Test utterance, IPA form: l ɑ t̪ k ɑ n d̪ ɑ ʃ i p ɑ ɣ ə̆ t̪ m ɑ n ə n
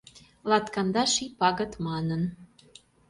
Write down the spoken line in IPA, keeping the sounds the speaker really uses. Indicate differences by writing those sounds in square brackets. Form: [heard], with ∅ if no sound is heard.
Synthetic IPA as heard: l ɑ t̪ k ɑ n d̪ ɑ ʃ i p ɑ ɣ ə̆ t̪ m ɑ n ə n